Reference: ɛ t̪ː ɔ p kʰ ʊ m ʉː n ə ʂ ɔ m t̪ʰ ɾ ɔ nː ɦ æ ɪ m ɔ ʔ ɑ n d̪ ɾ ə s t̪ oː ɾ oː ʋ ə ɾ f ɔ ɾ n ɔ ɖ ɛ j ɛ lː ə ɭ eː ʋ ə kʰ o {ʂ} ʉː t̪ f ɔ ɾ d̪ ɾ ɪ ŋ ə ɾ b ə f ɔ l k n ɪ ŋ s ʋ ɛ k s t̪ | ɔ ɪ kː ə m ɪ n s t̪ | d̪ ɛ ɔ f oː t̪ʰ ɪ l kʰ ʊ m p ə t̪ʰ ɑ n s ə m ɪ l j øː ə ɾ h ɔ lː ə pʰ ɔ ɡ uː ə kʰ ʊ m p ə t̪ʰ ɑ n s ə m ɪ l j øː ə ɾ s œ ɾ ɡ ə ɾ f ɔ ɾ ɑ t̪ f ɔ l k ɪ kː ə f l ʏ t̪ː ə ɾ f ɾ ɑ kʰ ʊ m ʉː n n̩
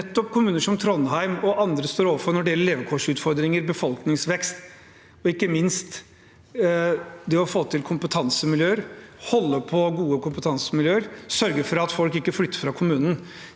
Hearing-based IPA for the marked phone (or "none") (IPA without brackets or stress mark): ʂ